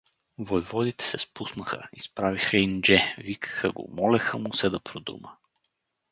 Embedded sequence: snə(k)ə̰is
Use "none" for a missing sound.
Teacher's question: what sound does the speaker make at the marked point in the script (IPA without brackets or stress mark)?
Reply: x